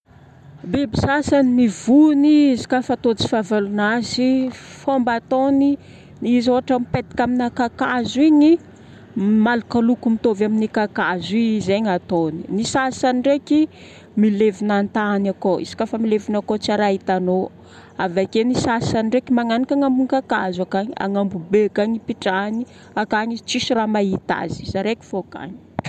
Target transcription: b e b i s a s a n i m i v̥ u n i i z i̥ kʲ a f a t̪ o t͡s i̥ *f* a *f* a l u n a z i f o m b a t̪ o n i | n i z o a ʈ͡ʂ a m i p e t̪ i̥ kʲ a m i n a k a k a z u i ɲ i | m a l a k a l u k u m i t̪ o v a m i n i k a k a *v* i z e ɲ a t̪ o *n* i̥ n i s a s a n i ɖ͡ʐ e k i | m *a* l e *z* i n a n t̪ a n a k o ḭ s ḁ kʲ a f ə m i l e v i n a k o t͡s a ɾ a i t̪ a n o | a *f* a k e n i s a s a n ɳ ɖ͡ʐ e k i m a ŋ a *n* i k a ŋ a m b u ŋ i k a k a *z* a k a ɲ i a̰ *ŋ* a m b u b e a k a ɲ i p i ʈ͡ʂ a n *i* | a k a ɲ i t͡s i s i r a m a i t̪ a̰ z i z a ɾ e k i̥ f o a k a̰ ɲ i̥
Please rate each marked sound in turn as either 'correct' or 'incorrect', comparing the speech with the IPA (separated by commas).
correct, incorrect, incorrect, correct, incorrect, incorrect, incorrect, correct, correct, correct, correct